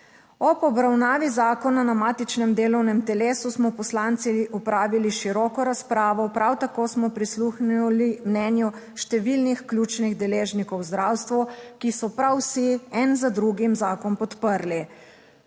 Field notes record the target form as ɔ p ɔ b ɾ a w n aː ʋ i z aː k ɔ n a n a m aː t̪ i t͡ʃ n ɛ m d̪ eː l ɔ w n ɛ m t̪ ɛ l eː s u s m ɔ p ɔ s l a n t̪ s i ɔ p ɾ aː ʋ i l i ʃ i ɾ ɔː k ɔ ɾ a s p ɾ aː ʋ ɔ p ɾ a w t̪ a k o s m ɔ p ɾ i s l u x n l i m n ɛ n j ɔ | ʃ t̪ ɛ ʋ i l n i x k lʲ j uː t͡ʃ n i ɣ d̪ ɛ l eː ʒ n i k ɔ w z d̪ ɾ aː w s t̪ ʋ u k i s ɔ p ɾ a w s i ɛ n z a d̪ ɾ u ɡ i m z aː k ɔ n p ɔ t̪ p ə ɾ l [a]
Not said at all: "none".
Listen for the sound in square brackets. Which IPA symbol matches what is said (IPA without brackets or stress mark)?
i